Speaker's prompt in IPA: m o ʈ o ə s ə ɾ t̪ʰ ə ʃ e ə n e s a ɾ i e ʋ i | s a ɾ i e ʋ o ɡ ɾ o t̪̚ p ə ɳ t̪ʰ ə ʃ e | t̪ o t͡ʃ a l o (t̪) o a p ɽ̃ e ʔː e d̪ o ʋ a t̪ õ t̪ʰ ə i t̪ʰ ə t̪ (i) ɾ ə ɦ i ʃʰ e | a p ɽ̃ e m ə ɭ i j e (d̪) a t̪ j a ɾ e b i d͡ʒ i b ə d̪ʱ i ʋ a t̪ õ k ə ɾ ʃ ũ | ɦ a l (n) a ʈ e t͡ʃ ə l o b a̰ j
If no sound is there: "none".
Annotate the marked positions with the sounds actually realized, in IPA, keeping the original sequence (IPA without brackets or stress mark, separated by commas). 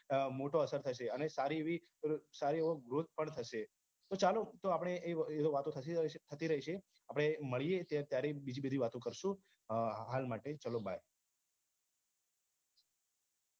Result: t̪, i, t̪, m